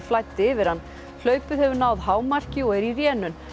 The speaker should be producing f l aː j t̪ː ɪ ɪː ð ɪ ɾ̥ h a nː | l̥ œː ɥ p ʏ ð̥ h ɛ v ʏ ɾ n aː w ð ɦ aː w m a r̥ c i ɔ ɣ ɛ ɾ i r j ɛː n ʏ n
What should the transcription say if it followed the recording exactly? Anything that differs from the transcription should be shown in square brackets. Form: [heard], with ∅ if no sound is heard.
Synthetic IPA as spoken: f l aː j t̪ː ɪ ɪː [v] ɪ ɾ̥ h a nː | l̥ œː ɥ p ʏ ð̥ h ɛ v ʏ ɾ n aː w ð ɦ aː w m a r̥ c [ɪ] ɔ ɣ ɛ ɾ i r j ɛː n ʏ n